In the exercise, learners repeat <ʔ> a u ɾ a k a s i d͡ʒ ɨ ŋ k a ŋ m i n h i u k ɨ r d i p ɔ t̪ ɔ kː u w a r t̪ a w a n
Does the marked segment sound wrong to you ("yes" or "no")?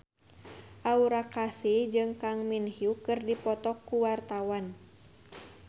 no